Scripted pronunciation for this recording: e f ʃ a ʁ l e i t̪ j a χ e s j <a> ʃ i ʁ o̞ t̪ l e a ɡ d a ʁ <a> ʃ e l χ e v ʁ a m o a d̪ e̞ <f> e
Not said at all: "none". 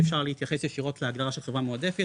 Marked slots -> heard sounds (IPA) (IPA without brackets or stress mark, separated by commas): e, a, f